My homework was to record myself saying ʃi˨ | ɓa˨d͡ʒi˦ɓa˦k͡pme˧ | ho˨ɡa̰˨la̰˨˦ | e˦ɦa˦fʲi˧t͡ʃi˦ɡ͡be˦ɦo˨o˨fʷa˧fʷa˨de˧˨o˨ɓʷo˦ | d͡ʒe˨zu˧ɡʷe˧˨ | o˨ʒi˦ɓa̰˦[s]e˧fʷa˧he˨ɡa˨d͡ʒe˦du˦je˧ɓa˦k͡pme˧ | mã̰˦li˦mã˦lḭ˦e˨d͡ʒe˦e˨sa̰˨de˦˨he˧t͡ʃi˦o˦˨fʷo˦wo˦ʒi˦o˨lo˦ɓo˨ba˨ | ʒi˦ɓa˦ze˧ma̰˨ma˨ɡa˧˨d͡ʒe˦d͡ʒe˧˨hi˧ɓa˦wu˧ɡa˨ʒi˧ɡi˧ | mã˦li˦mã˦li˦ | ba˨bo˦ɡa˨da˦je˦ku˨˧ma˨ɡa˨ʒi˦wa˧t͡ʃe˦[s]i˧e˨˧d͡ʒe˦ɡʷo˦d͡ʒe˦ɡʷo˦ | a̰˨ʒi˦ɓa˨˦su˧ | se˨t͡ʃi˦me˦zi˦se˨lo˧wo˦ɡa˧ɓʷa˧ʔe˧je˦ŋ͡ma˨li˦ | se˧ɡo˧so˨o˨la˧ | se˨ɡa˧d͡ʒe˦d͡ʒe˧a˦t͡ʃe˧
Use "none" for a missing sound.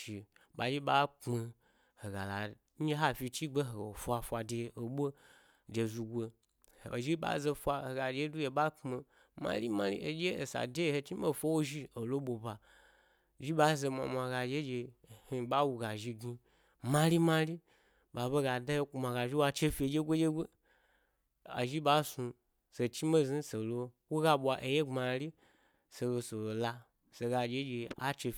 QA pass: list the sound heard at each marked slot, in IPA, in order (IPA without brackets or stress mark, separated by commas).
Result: z, f